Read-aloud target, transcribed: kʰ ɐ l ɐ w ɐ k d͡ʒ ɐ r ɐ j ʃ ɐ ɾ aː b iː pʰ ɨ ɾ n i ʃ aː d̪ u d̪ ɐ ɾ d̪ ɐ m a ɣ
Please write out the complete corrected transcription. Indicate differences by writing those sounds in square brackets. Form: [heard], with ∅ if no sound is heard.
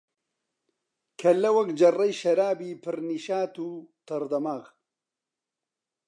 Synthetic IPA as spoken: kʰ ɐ l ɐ w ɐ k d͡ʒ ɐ r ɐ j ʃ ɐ ɾ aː b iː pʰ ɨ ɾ n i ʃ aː [t̪] u [t̪] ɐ ɾ d̪ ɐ m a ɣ